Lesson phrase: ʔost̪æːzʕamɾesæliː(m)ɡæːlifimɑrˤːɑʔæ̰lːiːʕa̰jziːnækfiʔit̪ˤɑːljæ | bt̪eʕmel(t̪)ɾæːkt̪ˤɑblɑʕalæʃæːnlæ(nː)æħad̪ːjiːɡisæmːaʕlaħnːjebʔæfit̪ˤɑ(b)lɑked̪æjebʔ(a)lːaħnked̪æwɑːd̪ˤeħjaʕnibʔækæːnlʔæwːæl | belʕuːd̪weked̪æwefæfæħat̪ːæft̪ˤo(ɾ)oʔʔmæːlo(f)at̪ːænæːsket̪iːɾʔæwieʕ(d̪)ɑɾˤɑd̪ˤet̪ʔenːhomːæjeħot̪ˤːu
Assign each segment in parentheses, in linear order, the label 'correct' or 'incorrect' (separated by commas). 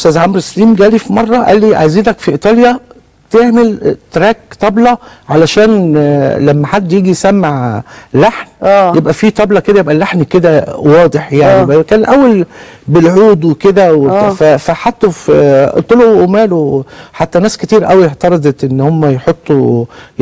correct, correct, incorrect, correct, incorrect, incorrect, incorrect, incorrect